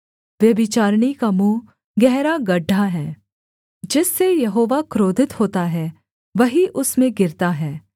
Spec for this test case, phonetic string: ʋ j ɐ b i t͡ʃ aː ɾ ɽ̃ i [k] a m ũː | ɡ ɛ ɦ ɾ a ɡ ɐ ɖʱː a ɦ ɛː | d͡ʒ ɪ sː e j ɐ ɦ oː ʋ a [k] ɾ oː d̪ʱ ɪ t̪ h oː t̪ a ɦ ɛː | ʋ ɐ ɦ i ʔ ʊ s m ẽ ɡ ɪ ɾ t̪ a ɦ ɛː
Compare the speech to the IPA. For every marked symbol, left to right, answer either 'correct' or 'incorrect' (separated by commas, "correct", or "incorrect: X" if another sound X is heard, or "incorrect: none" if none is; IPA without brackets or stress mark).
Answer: correct, correct